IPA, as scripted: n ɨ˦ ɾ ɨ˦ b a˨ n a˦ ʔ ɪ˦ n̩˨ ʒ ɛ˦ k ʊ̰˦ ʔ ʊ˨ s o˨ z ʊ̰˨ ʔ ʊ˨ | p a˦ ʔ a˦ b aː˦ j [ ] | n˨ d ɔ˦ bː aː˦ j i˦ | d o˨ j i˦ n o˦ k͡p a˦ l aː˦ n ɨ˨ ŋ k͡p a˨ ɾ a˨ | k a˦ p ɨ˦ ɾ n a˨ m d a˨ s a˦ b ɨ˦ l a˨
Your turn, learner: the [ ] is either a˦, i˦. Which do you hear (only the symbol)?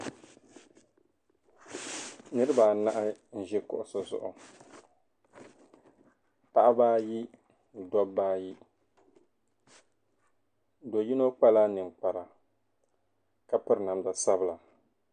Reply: i˦